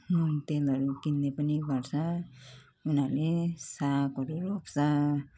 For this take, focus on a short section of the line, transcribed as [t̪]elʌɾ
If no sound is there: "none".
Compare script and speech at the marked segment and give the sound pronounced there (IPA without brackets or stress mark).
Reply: t̪